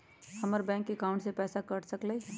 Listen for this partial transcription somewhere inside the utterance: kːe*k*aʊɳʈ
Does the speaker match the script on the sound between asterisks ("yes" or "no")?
yes